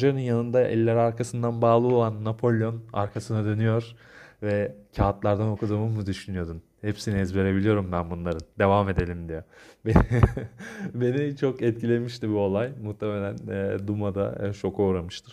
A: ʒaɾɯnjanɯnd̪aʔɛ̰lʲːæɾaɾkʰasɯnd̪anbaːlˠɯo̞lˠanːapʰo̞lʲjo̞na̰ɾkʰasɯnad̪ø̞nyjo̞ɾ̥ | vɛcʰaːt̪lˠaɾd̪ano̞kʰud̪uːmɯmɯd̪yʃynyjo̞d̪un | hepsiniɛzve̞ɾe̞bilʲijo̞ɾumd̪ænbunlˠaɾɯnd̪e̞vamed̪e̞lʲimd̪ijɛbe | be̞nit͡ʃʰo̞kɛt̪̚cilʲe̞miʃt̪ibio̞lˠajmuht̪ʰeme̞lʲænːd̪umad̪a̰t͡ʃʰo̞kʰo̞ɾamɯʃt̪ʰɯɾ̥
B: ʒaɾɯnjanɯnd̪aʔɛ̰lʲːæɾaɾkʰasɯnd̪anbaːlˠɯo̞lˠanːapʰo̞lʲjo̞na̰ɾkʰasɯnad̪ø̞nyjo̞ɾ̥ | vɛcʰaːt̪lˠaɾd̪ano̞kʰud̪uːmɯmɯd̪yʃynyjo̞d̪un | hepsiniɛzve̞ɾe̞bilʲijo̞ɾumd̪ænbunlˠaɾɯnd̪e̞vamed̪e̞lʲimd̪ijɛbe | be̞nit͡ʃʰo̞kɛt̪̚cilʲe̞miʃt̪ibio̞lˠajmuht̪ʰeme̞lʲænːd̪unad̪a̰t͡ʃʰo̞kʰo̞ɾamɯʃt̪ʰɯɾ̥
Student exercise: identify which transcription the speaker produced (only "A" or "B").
A